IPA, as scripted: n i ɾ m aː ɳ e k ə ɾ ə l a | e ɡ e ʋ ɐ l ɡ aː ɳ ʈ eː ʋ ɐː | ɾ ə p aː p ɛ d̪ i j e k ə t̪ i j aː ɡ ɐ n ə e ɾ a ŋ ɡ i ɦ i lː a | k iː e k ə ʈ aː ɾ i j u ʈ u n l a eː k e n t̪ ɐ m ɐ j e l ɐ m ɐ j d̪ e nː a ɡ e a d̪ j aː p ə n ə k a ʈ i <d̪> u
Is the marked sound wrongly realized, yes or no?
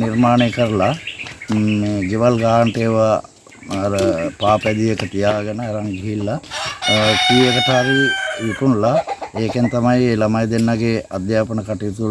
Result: yes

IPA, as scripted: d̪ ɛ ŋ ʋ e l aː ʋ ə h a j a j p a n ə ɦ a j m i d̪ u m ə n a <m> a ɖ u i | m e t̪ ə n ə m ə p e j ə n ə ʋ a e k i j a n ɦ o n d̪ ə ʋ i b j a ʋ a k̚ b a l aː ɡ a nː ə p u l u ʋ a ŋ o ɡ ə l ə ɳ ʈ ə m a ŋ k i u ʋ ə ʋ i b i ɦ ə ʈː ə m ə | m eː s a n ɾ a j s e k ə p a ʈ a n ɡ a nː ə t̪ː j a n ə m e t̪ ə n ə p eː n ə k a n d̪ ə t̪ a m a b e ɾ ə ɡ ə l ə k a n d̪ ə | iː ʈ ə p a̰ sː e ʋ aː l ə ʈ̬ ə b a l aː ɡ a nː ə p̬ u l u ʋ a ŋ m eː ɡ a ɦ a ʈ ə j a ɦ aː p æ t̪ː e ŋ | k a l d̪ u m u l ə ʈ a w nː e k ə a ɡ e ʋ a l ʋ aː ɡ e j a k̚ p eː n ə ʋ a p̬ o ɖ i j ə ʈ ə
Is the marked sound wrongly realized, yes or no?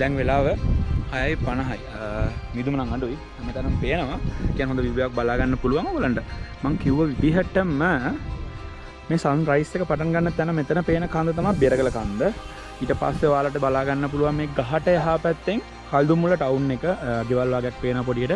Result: yes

